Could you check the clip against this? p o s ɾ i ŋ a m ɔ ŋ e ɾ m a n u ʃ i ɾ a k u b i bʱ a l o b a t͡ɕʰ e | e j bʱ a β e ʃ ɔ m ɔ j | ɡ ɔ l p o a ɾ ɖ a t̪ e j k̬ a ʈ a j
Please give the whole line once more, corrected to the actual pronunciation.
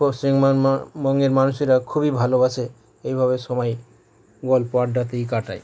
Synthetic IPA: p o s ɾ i ŋ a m ɔ ŋ e ɾ m a n u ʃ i ɾ a kʰ u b i bʱ a l o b a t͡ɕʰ e | e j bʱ a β e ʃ ɔ m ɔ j | ɡ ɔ l p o a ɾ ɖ a t̪ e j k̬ a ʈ a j